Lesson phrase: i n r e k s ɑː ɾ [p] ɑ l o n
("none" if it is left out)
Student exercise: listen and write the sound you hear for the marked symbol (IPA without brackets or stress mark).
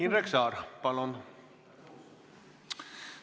p